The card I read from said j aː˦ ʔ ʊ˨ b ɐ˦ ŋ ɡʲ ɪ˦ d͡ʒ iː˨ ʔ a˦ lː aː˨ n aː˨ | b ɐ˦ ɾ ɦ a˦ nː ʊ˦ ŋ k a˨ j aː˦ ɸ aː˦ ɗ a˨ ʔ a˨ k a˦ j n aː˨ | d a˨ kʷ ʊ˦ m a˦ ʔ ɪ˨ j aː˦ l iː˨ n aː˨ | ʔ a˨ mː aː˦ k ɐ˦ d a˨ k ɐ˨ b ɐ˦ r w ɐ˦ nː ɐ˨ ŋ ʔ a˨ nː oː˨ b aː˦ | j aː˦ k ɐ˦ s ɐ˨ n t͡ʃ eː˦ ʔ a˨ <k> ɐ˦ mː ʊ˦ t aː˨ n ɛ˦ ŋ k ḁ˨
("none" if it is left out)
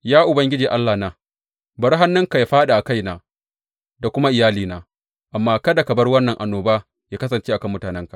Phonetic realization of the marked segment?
k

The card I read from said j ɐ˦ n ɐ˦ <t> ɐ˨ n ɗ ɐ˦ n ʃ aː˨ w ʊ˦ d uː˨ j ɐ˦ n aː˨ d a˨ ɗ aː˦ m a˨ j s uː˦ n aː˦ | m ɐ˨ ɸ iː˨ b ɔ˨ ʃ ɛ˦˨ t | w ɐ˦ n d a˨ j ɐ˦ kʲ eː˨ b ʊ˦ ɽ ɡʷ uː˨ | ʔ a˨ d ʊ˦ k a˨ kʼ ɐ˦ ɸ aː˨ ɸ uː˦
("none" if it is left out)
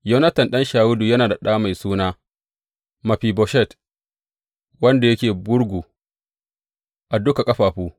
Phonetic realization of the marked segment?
t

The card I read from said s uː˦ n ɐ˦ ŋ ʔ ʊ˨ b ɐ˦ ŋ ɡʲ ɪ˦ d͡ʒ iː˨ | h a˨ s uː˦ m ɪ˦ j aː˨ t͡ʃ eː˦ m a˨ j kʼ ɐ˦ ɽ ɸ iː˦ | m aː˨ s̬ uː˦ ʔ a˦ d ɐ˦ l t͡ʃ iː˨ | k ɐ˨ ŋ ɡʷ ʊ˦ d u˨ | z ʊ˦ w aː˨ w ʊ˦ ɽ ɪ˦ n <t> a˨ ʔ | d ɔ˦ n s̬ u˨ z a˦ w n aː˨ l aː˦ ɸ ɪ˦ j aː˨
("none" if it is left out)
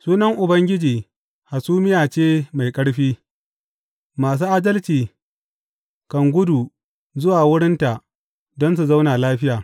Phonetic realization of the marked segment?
t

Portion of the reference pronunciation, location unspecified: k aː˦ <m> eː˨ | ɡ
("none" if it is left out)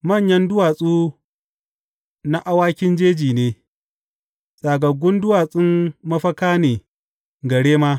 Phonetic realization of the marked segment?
n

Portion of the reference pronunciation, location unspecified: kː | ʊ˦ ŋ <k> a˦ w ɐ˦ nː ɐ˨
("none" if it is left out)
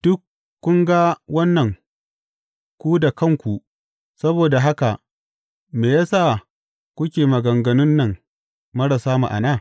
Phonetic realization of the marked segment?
ɡ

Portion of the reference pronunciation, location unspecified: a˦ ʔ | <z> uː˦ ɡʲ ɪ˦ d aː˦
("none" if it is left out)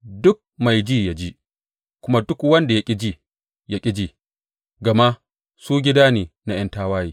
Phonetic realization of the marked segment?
s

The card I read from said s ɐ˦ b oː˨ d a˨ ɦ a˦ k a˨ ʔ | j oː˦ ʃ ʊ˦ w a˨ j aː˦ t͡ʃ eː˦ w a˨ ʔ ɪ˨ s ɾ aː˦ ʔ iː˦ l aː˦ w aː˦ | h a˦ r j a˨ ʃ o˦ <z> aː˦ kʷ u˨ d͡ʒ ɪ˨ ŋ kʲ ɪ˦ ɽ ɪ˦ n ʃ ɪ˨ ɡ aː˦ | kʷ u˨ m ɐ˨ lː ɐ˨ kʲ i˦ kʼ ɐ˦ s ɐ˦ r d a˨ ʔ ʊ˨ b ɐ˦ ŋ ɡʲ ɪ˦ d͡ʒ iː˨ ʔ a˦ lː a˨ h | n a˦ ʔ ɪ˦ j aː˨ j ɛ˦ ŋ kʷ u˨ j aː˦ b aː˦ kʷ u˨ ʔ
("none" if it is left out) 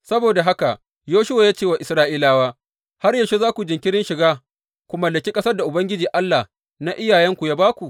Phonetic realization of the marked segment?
z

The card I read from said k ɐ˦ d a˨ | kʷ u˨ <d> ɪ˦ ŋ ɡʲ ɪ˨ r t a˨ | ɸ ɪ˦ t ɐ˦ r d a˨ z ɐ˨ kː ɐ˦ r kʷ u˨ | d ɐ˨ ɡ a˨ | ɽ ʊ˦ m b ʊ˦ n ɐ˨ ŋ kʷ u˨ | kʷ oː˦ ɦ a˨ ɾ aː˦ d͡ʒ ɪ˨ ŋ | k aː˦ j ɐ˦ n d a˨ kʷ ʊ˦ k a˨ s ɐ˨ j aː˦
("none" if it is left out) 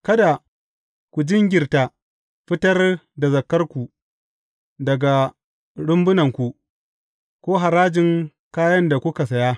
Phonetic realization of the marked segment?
d͡ʒ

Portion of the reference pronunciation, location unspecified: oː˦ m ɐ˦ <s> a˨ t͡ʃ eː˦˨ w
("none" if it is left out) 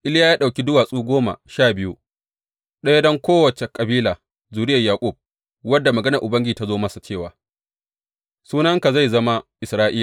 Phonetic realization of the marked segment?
s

